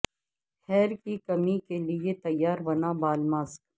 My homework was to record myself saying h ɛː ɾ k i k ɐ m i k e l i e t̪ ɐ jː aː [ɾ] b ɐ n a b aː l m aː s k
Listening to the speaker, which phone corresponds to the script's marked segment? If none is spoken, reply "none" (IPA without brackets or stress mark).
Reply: ɾ